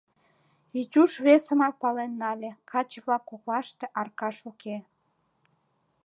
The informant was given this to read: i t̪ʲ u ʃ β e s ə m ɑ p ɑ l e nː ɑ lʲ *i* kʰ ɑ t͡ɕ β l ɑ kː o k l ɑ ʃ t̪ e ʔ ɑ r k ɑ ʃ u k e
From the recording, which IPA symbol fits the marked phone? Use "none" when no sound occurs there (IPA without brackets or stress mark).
e